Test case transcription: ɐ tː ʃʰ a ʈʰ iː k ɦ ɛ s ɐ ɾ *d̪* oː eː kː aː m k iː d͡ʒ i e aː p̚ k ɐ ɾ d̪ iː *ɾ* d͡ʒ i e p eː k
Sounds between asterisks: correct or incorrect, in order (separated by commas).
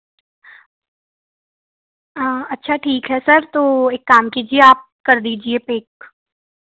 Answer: incorrect, incorrect